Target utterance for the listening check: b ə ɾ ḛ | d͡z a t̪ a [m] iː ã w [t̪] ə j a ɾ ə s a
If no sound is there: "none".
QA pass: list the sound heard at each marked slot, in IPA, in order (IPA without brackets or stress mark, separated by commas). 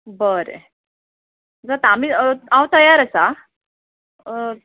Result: m, t̪